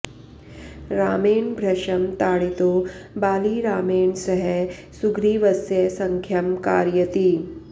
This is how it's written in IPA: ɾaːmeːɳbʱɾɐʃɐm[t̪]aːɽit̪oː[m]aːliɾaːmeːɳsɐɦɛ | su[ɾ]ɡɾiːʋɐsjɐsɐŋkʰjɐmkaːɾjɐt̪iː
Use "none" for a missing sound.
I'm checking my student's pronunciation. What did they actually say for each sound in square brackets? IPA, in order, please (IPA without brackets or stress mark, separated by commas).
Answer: t̪, b, none